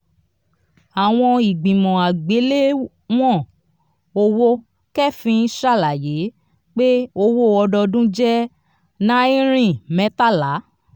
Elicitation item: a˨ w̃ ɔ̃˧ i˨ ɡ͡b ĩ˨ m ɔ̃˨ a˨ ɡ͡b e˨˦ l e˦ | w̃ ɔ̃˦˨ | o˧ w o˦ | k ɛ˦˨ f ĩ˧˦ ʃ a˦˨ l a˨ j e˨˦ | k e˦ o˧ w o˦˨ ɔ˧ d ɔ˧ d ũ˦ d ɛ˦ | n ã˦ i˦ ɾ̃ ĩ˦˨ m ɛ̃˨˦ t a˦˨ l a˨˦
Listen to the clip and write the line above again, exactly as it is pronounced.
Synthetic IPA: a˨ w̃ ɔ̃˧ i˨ ɡ͡b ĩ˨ m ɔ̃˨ a˨ ɡ͡b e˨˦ l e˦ | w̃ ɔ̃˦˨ | o˧ w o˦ | k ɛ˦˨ f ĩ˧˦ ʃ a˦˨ l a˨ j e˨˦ | k͡p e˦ o˧ w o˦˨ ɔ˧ d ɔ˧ d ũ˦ d͡ʒ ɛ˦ | n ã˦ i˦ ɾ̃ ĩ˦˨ m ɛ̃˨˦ t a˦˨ l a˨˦